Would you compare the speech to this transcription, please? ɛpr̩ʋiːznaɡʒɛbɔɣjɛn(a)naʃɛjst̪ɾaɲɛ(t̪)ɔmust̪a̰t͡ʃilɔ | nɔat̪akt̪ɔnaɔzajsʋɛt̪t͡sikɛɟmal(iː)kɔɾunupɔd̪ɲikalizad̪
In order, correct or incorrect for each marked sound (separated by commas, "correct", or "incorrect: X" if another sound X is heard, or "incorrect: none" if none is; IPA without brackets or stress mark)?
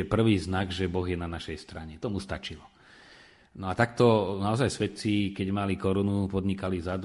correct, correct, incorrect: i